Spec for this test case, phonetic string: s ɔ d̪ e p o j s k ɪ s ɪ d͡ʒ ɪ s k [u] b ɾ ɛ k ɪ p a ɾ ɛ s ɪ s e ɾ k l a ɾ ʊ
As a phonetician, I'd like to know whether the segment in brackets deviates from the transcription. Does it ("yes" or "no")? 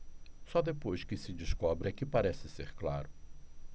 yes